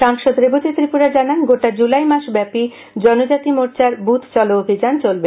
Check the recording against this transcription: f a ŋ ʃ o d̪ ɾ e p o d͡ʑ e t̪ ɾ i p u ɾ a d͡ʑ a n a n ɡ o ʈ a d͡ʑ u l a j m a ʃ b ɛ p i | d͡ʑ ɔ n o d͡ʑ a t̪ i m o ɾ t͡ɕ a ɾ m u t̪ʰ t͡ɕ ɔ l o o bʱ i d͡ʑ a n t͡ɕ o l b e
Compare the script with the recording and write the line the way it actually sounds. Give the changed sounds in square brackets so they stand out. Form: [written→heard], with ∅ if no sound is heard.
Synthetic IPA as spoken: [f→ʃ] a ŋ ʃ o d̪ ɾ e [p→b] o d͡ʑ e t̪ ɾ i p u ɾ a d͡ʑ a n a n ɡ o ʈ a d͡ʑ u l a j m a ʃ b ɛ p i | d͡ʑ ɔ n o d͡ʑ a t̪ i m o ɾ t͡ɕ a ɾ [m→b] u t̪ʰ t͡ɕ ɔ l o o bʱ i d͡ʑ a n t͡ɕ o l b e